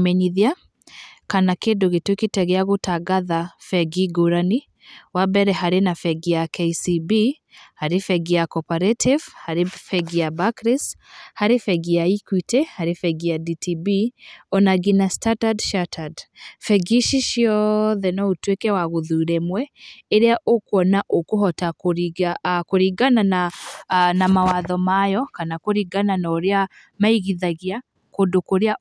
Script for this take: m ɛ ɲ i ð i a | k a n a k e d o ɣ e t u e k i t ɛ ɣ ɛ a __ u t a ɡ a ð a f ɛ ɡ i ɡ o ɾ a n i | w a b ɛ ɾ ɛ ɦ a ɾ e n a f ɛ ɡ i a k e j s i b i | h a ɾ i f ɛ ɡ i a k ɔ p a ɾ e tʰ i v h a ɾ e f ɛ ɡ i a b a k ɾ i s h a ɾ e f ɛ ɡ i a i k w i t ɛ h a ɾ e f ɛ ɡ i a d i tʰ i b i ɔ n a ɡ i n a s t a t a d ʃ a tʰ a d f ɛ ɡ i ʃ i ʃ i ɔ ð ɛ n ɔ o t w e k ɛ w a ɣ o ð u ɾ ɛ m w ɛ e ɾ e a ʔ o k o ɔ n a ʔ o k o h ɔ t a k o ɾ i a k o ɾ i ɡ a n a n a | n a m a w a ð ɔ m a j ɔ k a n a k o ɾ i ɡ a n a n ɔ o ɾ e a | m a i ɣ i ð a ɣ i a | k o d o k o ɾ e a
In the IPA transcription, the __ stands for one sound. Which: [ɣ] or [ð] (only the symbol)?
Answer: ɣ